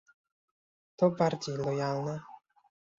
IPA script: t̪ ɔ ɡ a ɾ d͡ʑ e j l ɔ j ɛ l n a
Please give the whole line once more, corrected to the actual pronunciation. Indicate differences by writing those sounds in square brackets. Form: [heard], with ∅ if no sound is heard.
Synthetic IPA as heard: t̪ ɔ [b] a ɾ d͡ʑ e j l ɔ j [a] l n [ɛ]